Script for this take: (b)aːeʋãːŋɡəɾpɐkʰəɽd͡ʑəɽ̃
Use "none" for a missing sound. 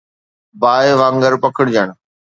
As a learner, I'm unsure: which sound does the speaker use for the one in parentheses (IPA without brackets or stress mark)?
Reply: b